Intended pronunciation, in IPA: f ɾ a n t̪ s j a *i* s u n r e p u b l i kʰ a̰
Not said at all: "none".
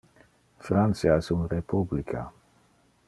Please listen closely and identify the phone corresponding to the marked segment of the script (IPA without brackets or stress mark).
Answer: ɛ